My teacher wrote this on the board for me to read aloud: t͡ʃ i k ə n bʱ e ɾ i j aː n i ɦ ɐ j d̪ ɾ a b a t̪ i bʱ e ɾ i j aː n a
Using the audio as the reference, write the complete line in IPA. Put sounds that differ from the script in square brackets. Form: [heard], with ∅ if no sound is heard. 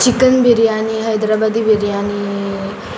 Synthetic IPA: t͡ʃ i k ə n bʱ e ɾ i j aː n i ɦ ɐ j d̪ ɾ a b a [d̪] i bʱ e ɾ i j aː n [i]